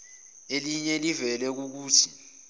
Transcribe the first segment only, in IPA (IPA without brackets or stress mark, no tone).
e